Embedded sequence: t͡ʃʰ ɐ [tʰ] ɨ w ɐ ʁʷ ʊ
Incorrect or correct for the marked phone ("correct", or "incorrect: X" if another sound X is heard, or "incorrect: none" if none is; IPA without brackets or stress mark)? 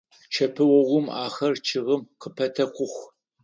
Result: incorrect: pʰ